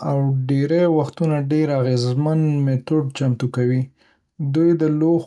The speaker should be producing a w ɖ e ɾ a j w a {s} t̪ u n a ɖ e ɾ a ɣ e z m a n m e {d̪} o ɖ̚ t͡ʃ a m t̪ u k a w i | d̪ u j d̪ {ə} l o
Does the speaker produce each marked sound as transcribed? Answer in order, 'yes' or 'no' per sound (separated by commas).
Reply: no, no, yes